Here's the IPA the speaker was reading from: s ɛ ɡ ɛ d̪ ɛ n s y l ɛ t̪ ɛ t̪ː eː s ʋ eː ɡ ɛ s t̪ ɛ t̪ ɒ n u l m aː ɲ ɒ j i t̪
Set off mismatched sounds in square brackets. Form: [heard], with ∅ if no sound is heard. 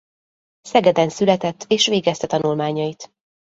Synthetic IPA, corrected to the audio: s ɛ ɡ ɛ d̪ ɛ n s y l ɛ t̪ ɛ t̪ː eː [ʃ] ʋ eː ɡ ɛ s t̪ ɛ t̪ ɒ n u l m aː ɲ ɒ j i t̪